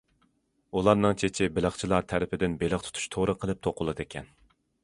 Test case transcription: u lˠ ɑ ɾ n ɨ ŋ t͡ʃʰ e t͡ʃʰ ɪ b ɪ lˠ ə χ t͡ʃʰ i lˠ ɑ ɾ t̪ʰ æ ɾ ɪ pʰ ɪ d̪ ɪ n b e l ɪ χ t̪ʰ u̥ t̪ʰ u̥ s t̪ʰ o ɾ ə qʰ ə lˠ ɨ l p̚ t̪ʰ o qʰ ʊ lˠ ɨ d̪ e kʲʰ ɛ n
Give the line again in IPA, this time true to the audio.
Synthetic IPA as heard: u lˠ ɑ ɾ n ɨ ŋ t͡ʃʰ e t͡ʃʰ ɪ b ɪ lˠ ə χ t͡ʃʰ i lˠ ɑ ɾ t̪ʰ æ ɾ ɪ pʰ ɪ d̪ ɪ n b e l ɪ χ t̪ʰ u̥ t̪ʰ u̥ ʃ t̪ʰ o ɾ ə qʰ ə lˠ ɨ p̚ t̪ʰ o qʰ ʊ lˠ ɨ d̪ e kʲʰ ɛ n